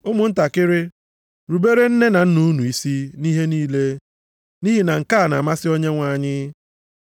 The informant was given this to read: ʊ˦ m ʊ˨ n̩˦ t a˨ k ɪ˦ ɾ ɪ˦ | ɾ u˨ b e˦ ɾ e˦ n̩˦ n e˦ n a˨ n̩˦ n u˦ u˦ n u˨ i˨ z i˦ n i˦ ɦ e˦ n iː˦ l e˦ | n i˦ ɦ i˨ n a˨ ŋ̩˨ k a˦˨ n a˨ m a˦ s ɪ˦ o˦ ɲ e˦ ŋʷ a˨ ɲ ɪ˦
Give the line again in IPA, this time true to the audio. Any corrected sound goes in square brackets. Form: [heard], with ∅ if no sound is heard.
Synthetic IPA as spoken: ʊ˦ m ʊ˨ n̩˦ t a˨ k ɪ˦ ɾ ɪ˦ | ɾ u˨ b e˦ ɾ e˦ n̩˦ n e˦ n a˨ n̩˦ n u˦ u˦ n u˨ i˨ [s] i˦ n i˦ ɦ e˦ n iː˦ l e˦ | n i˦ ɦ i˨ n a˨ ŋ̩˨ k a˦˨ n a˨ m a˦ s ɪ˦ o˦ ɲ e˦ ŋʷ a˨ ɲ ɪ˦